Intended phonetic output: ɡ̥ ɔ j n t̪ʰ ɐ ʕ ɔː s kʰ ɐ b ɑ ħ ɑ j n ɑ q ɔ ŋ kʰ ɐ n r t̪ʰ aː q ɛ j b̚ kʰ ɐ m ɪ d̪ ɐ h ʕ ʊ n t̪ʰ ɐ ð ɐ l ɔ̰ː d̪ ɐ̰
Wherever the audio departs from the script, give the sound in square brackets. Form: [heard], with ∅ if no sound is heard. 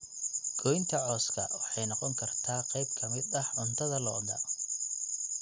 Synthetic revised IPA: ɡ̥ ɔ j n t̪ʰ ɐ ʕ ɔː s kʰ ɐ [w] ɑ ħ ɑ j n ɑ q ɔ ŋ kʰ ɐ [∅] r t̪ʰ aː q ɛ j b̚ kʰ ɐ m ɪ d̪ ɐ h ʕ ʊ n t̪ʰ ɐ ð ɐ l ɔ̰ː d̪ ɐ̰